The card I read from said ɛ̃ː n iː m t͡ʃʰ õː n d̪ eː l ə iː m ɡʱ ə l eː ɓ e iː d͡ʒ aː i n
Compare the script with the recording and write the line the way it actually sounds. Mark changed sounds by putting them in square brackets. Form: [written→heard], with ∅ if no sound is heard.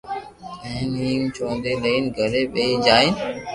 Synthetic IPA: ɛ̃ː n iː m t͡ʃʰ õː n d̪ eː l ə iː [m→n] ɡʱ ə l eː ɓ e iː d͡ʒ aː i n